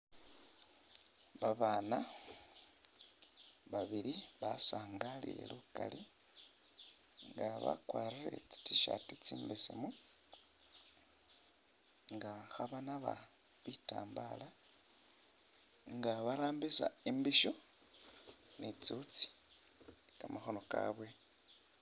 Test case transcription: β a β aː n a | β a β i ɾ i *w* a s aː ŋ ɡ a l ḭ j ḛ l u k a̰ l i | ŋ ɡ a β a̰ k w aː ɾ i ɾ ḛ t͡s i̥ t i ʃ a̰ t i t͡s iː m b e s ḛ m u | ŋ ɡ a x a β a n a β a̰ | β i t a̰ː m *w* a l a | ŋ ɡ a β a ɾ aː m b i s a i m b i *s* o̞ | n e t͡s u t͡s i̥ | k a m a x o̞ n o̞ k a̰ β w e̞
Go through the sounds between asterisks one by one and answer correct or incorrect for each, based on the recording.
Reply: incorrect: β, incorrect: b, incorrect: ʃ

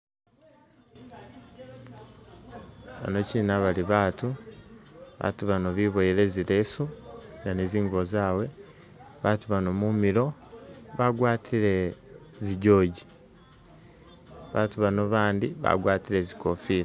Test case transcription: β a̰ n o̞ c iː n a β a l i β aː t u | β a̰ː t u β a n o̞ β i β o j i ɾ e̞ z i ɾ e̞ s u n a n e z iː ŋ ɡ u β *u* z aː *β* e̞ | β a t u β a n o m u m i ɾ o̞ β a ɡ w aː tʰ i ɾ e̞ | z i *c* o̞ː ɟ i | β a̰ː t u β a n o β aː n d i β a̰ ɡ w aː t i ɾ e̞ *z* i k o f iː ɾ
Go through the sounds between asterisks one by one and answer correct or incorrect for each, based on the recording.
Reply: incorrect: o, incorrect: w, incorrect: ɟ, correct

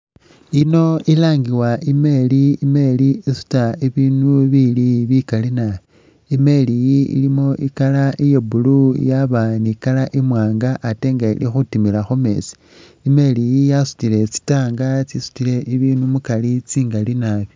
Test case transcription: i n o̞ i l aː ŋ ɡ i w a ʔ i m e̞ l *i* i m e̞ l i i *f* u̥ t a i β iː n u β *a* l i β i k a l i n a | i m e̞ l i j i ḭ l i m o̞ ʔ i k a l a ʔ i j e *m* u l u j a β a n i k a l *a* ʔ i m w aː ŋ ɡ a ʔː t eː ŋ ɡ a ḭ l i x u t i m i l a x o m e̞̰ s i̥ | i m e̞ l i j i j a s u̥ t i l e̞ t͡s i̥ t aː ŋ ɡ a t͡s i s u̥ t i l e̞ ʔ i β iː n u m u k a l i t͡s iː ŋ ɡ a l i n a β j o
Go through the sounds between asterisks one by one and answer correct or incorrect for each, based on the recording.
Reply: correct, incorrect: s, incorrect: i, incorrect: b, correct

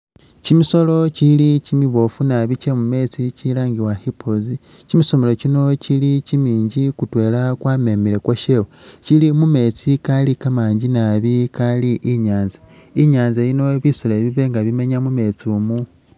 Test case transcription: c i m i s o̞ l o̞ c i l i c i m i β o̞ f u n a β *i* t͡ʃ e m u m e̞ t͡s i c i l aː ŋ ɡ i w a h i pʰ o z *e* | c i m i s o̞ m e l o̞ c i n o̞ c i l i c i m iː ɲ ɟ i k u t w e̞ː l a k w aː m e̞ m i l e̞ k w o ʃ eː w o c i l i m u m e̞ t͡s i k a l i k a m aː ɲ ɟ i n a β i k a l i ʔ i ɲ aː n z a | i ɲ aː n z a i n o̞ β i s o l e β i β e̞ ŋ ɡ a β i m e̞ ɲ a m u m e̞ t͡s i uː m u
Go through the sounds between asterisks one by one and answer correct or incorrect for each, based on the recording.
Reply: correct, incorrect: i

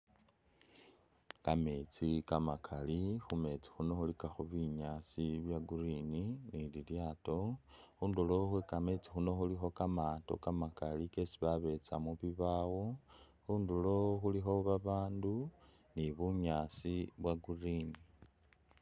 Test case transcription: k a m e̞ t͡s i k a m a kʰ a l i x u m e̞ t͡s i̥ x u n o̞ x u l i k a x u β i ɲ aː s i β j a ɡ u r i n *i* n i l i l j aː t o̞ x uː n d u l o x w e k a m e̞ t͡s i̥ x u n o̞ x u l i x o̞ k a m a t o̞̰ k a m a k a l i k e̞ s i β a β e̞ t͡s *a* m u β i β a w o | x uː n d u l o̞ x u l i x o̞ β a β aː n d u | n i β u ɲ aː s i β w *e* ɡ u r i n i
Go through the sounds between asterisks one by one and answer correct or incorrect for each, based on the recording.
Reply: correct, correct, incorrect: a

